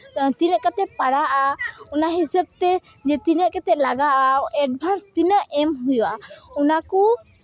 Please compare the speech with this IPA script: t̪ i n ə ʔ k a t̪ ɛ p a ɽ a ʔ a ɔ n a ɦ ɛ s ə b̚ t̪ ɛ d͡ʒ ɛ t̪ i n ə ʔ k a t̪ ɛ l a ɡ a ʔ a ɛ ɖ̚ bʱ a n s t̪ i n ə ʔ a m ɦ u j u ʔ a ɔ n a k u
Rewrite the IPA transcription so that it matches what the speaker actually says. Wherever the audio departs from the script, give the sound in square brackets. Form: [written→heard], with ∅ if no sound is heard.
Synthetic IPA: t̪ i n ə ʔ k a t̪ ɛ p a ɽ a ʔ a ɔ n a ɦ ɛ s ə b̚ t̪ ɛ d͡ʒ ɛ t̪ i n ə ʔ k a t̪ ɛ l a ɡ a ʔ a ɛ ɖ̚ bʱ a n s t̪ i n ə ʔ [a→ɛ] m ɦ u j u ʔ a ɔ n a k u

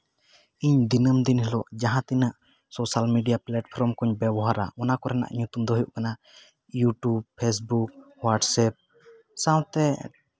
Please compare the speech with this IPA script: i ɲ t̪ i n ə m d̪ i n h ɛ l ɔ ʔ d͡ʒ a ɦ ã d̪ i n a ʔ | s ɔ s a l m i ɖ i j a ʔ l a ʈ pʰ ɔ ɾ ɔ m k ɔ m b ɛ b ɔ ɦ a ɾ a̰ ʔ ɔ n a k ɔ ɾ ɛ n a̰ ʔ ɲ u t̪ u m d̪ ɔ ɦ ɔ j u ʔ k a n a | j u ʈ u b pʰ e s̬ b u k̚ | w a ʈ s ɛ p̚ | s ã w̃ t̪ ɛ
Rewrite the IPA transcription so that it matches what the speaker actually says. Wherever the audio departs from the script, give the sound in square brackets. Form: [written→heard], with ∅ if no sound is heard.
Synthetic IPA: i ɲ [t̪→d̪] i n ə m d̪ i n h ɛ l ɔ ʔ d͡ʒ a ɦ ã [d̪→t̪] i n a ʔ | s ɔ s a l m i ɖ i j a [ʔ→p] l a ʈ pʰ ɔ ɾ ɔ m k ɔ [m→ɲ] b ɛ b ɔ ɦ a ɾ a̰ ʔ ɔ n a k ɔ ɾ ɛ n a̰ ʔ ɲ u t̪ u m d̪ ɔ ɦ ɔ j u ʔ k a n a | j u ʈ u b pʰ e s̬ b u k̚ | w a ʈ s ɛ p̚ | s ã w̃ t̪ ɛ

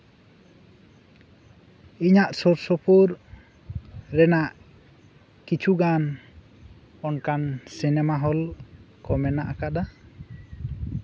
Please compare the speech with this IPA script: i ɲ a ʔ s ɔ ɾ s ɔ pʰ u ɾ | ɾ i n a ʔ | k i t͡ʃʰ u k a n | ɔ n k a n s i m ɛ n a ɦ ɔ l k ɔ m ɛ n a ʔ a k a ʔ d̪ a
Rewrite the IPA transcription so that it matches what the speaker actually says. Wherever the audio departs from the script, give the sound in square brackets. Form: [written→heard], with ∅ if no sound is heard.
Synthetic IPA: i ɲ a ʔ s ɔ ɾ s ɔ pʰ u ɾ | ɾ [i→ɛ] n a ʔ | k i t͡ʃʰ u [k→ɡ] a n | ɔ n k a n s i [m→n] ɛ [n→m] a ɦ ɔ l k ɔ m ɛ n a ʔ a k a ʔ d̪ a

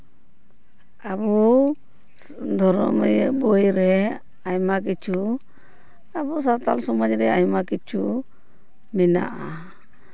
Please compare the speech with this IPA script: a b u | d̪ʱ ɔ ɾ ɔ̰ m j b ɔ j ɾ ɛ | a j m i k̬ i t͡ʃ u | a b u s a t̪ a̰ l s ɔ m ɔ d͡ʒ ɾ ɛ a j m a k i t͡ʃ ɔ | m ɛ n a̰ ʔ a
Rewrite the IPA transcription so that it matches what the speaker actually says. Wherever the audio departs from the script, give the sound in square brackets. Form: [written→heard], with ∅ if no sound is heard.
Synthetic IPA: a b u | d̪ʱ ɔ ɾ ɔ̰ m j b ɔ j ɾ ɛ | a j m [i→a] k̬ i t͡ʃ u | a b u s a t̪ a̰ l s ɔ m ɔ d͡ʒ ɾ ɛ a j m a k i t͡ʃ [ɔ→u] | m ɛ n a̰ ʔ a

